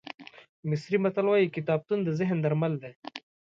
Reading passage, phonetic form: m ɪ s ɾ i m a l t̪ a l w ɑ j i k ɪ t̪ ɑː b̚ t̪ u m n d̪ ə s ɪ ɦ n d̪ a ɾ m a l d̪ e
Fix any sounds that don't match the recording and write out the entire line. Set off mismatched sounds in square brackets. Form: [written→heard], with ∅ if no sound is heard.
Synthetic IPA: m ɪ s ɾ i m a [l→∅] t̪ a l w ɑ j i k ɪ t̪ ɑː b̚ t̪ u [m→∅] n d̪ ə [s→z] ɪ ɦ n d̪ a ɾ m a l d̪ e